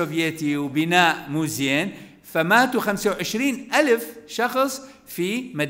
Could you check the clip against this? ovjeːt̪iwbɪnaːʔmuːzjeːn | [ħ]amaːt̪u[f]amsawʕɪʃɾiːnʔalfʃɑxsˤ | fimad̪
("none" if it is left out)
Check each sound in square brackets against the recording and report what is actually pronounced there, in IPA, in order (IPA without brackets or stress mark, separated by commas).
f, x